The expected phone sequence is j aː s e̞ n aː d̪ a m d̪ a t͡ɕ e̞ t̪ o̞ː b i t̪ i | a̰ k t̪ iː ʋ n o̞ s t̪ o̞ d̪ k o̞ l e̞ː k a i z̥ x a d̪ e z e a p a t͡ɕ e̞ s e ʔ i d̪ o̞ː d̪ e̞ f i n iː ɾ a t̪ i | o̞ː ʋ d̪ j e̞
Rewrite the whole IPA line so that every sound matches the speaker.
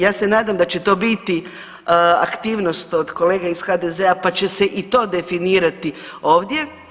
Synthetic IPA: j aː s e̞ n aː d̪ a m d̪ a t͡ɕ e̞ t̪ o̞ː b i t̪ i | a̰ k t̪ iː ʋ n o̞ s t̪ o̞ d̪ k o̞ l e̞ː ɡ a i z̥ x a d̪ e z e a p a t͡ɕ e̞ s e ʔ i t̪ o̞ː d̪ e̞ f i n iː ɾ a t̪ i | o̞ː ʋ d̪ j e̞